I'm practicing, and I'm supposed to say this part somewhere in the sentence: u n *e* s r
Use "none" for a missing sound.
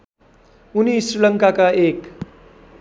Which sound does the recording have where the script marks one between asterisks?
i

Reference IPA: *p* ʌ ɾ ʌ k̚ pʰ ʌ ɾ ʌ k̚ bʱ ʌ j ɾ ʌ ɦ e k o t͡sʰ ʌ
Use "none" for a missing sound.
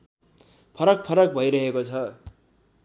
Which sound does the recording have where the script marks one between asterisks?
pʰ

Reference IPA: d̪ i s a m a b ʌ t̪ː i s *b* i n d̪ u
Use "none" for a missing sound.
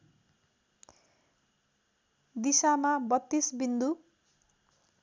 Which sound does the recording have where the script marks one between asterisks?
b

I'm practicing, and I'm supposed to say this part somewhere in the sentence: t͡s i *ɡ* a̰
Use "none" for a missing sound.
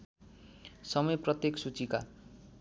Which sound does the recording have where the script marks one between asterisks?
k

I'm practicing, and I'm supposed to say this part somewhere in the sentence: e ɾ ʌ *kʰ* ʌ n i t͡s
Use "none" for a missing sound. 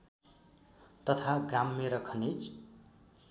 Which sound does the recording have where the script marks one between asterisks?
kʰ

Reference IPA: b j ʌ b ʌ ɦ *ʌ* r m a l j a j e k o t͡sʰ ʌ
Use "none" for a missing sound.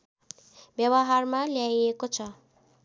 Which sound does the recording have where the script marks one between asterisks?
a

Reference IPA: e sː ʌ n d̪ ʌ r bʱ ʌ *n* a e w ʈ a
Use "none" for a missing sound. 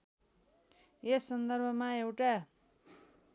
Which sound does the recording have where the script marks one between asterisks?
m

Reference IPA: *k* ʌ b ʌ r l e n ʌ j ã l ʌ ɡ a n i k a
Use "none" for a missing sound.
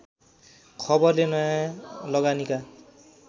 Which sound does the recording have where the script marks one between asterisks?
kʰ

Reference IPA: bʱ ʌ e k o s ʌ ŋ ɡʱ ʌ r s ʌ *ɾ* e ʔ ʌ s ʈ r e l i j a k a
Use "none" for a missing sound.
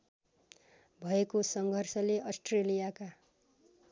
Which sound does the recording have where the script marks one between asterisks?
l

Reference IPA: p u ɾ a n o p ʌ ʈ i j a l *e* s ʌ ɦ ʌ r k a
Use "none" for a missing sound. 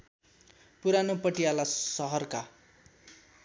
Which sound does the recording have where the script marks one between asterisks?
a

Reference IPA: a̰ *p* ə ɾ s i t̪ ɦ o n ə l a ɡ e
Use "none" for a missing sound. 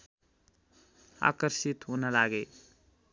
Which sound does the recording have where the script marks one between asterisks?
k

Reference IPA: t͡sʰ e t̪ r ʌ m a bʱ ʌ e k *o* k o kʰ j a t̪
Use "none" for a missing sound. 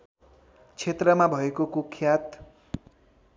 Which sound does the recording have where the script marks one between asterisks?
o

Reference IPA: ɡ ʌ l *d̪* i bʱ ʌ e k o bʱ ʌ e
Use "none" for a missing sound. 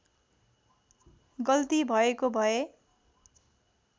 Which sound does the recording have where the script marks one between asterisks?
t̪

